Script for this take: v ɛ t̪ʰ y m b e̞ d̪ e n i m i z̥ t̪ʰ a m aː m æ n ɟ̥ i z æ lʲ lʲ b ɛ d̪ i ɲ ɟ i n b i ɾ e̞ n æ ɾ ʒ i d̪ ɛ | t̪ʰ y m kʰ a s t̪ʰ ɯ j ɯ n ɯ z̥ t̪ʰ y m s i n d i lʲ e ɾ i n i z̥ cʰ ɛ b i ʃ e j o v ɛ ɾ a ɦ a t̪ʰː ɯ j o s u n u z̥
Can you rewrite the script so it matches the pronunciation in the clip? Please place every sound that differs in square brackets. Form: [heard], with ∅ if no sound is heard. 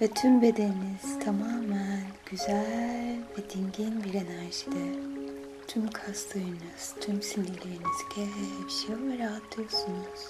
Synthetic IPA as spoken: v ɛ t̪ʰ y m b e̞ d̪ e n i [n] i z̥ t̪ʰ a m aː m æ n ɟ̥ [y] z æ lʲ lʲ [v] ɛ d̪ i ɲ ɟ i n b i ɾ e̞ n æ ɾ ʒ i d̪ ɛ | t̪ʰ y m kʰ a s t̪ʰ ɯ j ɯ n ɯ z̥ t̪ʰ y m s i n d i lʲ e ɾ i n i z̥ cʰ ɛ b i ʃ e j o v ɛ ɾ a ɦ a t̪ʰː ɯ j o s u n u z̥